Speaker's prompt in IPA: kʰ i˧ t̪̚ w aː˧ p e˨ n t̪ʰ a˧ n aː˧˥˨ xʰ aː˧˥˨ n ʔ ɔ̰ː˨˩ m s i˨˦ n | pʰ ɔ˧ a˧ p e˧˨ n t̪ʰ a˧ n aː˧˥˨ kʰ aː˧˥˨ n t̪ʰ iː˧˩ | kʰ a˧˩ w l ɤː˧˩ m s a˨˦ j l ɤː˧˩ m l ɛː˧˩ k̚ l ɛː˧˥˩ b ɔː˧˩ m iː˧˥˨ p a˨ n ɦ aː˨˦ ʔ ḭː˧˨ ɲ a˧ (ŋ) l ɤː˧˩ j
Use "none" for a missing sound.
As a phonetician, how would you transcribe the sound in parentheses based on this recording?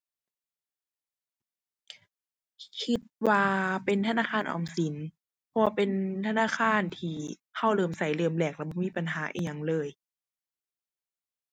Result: ŋ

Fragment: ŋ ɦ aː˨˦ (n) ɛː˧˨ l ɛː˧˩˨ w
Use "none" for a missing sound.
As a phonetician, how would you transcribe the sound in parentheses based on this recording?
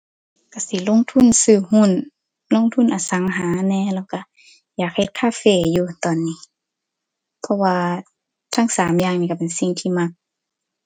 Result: n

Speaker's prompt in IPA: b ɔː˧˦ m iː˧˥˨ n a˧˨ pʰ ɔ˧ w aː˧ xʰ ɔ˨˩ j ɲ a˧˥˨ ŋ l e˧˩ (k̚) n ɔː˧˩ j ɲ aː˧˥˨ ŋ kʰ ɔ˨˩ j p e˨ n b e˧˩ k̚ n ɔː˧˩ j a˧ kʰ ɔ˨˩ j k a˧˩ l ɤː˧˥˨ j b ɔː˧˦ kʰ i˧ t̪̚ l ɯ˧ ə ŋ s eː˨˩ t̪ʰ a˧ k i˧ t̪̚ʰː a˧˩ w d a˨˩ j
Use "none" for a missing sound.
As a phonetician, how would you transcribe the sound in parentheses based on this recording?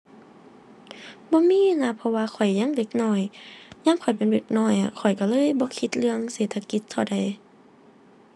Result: k̚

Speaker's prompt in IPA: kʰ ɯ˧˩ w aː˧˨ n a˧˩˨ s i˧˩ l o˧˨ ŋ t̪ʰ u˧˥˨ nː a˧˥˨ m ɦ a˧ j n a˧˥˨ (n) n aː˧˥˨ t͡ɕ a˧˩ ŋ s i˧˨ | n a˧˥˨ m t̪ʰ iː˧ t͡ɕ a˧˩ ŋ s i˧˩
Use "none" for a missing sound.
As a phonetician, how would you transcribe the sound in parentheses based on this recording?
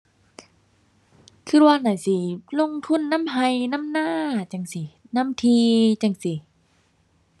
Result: m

